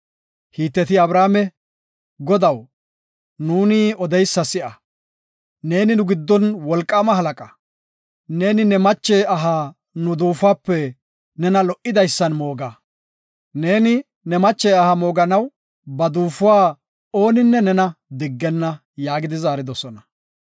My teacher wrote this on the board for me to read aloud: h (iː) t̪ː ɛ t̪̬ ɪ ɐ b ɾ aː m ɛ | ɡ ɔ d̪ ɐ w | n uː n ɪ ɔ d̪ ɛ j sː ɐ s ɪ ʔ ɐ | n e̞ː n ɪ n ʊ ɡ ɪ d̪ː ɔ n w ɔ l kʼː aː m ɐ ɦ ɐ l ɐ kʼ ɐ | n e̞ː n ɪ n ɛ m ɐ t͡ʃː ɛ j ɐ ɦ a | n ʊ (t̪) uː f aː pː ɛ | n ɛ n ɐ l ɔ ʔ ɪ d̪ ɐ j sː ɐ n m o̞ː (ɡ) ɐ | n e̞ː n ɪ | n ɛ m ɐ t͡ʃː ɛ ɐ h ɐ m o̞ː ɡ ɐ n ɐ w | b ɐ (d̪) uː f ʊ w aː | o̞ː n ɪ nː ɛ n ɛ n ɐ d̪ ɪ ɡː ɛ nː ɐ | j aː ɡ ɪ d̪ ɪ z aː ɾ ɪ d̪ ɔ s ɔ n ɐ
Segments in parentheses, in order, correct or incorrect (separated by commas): correct, incorrect, correct, correct